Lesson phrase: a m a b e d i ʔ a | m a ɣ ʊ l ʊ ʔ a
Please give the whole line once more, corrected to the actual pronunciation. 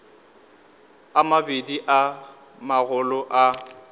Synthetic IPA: a m a b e d i ʔ a | m a ɣ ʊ l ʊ ʔ a

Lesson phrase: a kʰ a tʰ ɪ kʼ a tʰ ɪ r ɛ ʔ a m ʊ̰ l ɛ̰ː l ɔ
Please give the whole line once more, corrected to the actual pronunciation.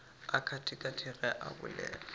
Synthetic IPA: a kʰ a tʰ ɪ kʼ a tʰ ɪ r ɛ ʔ a b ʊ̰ l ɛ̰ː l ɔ

